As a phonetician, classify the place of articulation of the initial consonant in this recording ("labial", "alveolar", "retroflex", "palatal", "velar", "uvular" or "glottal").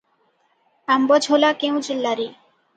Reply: labial